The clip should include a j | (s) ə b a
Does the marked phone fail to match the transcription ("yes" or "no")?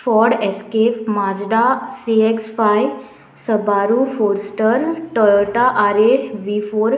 no